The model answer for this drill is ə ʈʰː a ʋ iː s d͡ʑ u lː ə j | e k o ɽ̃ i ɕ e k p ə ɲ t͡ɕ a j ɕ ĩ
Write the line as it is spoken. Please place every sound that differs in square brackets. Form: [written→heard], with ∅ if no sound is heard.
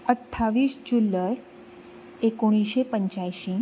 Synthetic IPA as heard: ə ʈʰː a ʋ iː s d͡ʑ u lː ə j | e k o ɽ̃ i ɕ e [k→∅] p ə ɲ t͡ɕ a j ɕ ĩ

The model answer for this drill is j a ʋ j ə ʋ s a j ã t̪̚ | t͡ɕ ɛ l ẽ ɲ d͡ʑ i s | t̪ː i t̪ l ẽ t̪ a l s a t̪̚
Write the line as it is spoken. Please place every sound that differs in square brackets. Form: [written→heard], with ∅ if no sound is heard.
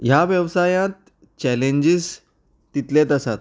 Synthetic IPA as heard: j a ʋ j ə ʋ s a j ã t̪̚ | t͡ɕ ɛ l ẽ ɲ d͡ʑ i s | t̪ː i t̪ l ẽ t̪ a [l→∅] s a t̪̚

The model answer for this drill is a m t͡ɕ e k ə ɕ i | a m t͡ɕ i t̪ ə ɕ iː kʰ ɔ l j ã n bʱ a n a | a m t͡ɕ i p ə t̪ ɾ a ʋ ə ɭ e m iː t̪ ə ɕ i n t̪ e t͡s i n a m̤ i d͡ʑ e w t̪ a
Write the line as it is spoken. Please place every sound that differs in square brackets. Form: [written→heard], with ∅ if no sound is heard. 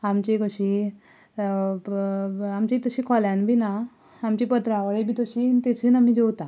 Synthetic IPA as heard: a m t͡ɕ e k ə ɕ i | a m t͡ɕ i t̪ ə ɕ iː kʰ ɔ l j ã n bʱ [a→i] n a | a m t͡ɕ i p ə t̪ ɾ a ʋ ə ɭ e [m→b] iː t̪ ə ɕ i n t̪ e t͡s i n a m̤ i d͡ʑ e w t̪ a

